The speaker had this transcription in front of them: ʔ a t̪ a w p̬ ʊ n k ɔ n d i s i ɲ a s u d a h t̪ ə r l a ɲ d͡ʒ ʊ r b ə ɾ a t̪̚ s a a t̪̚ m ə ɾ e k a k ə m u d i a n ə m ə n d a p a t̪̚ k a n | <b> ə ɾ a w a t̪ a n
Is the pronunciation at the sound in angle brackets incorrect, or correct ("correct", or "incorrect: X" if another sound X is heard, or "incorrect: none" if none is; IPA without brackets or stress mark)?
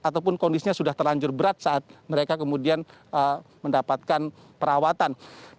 incorrect: p